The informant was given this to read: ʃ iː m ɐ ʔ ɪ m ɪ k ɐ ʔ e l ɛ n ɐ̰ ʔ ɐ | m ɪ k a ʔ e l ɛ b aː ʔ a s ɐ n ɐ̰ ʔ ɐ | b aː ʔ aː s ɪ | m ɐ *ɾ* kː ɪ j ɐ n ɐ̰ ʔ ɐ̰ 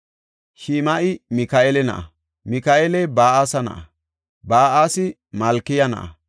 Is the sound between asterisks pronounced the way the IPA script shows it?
no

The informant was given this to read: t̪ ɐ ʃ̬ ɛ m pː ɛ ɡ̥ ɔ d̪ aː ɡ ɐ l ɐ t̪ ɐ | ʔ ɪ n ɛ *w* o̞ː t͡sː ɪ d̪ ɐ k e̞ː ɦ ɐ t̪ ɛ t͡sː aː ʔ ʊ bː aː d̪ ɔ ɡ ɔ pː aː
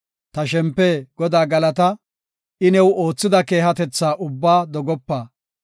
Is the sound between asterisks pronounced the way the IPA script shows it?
yes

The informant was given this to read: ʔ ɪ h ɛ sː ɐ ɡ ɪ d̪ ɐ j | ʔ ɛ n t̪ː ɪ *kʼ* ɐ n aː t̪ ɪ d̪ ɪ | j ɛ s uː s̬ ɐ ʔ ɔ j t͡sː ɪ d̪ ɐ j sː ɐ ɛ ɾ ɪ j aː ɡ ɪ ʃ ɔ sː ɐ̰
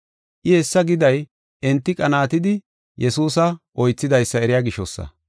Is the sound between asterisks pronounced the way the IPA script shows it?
yes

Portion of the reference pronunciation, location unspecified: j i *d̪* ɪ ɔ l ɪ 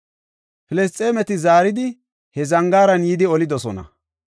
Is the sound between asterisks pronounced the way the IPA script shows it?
yes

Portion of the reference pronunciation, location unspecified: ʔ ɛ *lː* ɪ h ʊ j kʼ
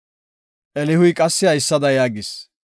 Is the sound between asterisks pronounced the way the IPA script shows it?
no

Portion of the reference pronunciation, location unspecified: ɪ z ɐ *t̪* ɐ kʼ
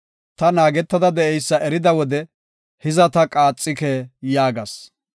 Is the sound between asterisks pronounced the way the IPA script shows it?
yes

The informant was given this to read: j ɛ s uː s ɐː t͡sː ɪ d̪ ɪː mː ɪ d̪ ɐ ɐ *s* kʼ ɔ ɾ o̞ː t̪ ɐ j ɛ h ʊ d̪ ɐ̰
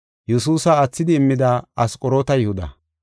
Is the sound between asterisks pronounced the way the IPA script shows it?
yes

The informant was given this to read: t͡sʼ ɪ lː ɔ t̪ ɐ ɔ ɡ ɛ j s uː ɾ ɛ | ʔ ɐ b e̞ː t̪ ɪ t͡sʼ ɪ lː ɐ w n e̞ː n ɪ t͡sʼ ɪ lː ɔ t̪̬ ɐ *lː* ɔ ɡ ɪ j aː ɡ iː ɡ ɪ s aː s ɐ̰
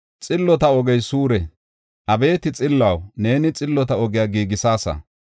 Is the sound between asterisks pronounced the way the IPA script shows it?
no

